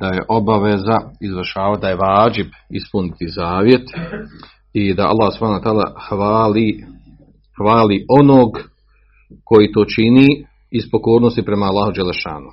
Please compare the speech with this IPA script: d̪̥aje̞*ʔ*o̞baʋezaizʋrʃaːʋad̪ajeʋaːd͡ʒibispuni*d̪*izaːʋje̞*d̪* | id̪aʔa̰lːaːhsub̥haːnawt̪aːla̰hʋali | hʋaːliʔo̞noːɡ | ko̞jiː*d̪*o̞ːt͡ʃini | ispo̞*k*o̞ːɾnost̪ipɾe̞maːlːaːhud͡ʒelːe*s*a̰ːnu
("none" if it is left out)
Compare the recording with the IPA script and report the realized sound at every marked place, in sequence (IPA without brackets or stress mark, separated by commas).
ʔ, t̪, t̪, t̪, k, ʃ